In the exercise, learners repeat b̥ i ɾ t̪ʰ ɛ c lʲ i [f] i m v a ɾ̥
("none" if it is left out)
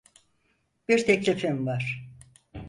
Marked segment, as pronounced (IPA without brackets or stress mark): f